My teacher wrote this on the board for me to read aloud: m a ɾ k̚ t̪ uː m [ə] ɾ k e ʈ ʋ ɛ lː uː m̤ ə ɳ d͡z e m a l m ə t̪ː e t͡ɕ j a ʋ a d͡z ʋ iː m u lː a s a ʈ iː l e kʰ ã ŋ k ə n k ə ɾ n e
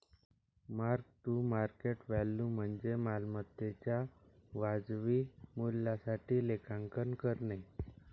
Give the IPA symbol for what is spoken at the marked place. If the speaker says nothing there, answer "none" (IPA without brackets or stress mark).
a